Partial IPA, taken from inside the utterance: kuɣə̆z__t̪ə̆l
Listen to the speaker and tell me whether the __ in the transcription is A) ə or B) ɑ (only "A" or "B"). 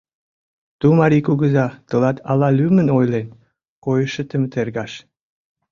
B